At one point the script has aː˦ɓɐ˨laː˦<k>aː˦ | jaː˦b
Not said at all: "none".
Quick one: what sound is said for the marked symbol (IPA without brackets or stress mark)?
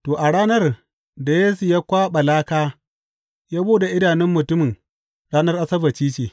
k